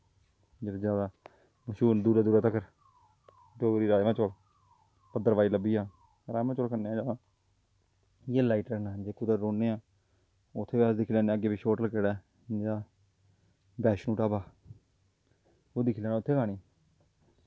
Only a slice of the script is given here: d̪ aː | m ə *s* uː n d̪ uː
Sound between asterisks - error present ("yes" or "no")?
yes